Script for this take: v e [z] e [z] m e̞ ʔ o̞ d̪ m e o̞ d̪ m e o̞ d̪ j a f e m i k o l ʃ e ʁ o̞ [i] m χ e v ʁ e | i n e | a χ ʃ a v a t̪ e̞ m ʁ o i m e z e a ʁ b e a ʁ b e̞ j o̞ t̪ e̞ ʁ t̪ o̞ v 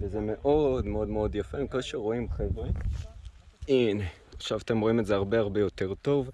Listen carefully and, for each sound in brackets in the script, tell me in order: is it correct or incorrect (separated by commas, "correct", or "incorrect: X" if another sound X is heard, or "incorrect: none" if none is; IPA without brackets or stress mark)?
correct, incorrect: none, correct